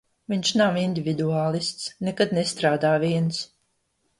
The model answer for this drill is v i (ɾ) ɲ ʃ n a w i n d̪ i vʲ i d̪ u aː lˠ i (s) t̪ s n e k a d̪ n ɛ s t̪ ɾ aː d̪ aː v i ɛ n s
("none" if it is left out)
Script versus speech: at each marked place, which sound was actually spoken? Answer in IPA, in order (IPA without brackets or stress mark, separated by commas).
none, s